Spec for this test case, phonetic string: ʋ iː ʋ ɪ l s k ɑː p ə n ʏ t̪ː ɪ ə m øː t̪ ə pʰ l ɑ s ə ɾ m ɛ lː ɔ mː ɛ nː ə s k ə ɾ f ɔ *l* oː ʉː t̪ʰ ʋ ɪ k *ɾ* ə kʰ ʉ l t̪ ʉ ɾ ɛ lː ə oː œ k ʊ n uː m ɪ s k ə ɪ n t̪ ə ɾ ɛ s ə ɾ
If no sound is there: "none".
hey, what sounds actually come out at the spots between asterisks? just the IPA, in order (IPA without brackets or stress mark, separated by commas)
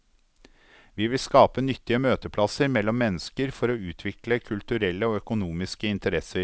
ɾ, l